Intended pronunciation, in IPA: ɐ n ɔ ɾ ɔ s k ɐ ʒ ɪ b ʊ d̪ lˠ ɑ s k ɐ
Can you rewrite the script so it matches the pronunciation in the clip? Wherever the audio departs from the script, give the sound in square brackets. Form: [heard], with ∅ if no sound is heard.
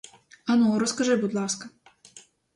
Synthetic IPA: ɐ n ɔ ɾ ɔ s k ɐ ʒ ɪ b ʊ d̪ lˠ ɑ s k ɐ